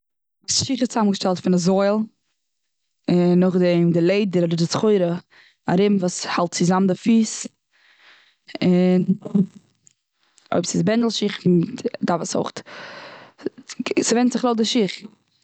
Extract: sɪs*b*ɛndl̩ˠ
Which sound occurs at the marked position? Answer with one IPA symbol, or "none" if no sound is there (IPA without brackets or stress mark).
b